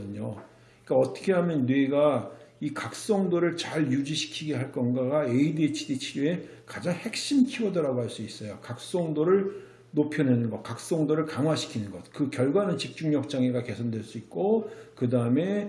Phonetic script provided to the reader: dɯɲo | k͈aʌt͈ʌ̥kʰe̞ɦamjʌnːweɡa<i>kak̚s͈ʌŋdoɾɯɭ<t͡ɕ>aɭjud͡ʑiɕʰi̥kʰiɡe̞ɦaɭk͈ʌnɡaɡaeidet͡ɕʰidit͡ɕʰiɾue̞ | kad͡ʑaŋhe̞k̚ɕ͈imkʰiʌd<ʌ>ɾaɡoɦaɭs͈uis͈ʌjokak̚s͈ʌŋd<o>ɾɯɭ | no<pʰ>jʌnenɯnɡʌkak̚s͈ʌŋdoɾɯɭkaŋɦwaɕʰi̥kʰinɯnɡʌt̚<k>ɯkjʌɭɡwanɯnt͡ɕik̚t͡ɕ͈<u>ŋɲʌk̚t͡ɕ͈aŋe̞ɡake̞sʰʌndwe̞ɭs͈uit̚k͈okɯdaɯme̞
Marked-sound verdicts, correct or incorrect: correct, correct, correct, correct, correct, correct, correct

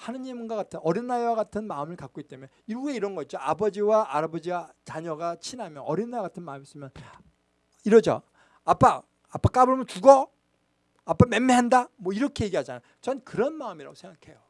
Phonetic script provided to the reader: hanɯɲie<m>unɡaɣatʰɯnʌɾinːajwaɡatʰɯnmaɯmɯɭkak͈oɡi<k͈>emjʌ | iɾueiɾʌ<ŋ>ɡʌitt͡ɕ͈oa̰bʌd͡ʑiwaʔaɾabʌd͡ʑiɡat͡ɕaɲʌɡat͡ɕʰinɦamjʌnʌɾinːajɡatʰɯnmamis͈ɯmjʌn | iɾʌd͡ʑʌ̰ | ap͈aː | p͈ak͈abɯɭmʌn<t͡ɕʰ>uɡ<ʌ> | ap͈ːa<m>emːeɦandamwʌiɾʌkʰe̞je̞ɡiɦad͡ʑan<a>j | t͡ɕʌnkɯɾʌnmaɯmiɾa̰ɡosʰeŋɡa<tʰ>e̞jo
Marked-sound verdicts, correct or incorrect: correct, incorrect, incorrect, incorrect, correct, correct, correct, incorrect

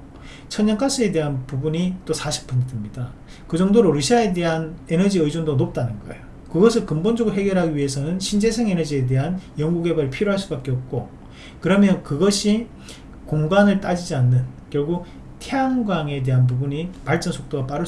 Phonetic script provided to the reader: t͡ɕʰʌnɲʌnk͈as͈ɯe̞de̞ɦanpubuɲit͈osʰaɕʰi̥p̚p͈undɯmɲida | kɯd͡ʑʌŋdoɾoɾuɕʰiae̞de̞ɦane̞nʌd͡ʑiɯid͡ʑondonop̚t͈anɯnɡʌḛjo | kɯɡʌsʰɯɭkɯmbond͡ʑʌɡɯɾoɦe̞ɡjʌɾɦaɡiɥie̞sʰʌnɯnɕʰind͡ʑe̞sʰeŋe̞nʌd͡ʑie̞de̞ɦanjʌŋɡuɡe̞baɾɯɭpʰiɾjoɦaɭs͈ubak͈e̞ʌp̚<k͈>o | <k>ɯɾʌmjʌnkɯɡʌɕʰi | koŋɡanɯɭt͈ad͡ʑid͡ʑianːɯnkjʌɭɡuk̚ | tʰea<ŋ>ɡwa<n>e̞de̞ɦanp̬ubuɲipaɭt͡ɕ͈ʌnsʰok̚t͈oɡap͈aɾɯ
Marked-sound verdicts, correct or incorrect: correct, correct, correct, incorrect

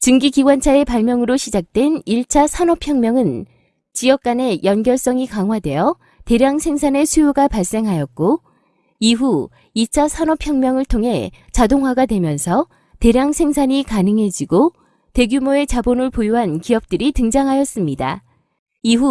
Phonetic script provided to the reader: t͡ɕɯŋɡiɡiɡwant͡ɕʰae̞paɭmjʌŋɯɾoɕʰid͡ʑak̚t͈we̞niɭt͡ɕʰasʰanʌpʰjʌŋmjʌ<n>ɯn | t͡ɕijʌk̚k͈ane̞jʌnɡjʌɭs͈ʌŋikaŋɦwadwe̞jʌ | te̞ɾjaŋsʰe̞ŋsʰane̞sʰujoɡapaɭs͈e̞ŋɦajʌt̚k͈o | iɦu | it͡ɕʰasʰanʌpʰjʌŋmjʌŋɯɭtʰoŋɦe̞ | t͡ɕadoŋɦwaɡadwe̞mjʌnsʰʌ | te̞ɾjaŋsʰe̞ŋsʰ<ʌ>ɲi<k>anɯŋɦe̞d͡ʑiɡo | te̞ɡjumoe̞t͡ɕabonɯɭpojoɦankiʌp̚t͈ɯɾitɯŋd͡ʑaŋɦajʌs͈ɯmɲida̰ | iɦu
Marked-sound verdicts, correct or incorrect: incorrect, incorrect, correct

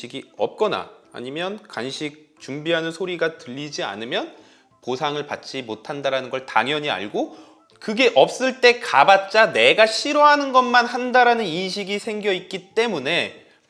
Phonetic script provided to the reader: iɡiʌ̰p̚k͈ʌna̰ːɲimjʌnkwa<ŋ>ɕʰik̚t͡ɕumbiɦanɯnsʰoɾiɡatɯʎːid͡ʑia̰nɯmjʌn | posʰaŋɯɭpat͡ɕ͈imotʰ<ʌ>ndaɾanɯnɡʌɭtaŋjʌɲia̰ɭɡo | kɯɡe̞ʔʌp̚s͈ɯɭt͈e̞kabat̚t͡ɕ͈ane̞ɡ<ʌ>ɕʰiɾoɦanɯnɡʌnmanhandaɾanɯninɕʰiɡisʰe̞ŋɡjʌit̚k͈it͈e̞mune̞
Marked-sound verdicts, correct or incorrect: incorrect, incorrect, incorrect

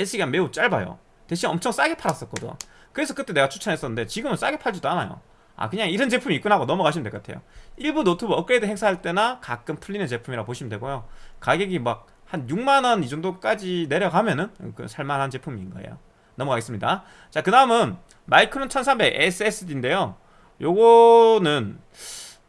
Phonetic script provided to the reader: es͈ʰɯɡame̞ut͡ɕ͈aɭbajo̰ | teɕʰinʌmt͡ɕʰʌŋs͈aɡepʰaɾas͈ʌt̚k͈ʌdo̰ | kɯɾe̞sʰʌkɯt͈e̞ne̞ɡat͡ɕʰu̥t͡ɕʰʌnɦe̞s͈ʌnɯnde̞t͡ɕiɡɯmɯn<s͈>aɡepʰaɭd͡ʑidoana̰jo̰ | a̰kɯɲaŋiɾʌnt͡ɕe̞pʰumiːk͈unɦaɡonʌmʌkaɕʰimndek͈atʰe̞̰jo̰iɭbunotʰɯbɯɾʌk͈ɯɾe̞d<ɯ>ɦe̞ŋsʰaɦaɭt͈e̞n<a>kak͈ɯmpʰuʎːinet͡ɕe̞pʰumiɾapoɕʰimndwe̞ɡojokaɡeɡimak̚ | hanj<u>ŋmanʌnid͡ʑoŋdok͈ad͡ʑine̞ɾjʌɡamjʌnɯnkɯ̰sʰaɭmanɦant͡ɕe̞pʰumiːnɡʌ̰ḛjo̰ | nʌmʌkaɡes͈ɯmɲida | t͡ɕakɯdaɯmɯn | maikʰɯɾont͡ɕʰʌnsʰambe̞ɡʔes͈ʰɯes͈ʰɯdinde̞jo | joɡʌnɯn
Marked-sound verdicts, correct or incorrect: correct, correct, correct, correct

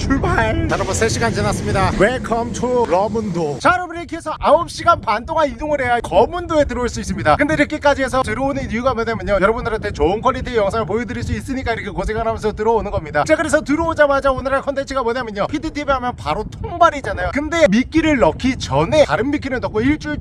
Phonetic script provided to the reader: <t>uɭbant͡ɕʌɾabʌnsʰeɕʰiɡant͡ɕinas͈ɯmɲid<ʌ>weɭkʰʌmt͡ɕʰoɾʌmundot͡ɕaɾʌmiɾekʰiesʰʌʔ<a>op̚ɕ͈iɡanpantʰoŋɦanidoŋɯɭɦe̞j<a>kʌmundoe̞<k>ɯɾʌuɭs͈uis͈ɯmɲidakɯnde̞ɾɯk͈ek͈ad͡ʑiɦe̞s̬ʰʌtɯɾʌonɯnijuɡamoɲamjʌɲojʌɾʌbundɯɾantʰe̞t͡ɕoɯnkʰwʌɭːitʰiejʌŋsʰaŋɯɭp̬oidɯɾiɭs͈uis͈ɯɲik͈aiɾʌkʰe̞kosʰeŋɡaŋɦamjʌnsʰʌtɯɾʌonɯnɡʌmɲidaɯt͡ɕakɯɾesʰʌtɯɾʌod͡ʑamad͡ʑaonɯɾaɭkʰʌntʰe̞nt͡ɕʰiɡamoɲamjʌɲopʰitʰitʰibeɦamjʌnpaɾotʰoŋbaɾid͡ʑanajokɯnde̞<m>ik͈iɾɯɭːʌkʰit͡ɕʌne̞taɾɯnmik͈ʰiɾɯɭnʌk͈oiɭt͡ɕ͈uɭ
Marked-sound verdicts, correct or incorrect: incorrect, incorrect, correct, correct, incorrect, correct

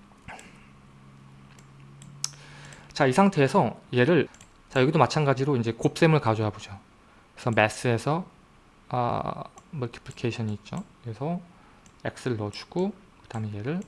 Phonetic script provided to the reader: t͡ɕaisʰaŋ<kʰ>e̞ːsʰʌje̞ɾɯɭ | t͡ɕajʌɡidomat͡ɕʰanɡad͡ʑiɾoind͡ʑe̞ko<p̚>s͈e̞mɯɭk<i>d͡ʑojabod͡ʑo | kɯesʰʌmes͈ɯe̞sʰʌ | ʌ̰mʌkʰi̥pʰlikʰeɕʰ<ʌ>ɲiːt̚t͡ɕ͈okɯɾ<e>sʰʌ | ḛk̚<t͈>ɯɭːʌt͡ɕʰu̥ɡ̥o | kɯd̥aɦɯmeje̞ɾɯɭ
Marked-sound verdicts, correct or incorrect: incorrect, correct, incorrect, correct, correct, incorrect

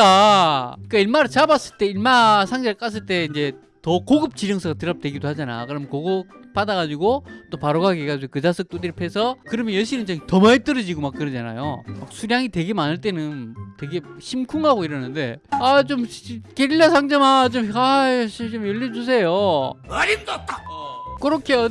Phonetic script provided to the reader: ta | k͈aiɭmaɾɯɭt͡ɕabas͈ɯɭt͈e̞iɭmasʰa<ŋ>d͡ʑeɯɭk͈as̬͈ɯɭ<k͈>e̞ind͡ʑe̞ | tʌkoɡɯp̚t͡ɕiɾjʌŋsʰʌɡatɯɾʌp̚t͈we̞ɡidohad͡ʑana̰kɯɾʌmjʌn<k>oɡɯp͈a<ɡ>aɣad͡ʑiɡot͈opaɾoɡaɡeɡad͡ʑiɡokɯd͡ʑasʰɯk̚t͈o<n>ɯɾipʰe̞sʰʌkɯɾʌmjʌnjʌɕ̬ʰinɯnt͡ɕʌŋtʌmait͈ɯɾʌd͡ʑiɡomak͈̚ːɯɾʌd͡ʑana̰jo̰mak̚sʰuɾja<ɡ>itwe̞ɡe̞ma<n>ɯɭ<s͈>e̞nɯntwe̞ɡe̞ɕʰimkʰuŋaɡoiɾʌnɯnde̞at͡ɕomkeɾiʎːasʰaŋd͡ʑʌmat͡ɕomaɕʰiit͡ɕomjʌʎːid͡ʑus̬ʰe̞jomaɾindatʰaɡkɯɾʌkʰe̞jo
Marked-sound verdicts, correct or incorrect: correct, incorrect, correct, incorrect, incorrect, incorrect, correct, incorrect

